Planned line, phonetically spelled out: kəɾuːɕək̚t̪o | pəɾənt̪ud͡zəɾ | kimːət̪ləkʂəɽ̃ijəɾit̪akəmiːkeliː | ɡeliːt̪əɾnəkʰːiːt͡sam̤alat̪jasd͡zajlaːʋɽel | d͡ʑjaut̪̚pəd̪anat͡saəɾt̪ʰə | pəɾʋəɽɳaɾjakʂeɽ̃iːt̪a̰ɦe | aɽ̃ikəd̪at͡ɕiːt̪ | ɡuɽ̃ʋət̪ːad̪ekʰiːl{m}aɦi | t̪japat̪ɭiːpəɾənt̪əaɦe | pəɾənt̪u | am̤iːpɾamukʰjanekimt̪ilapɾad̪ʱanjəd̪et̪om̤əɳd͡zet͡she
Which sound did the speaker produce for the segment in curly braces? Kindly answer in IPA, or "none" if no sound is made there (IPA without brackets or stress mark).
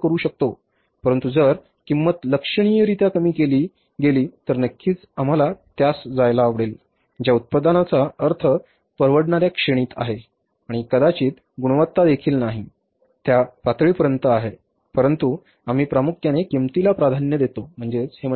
n